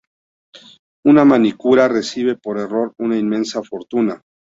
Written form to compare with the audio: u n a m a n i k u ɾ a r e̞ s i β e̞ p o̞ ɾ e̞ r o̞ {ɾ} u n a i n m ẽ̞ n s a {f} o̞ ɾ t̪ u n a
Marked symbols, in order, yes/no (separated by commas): yes, yes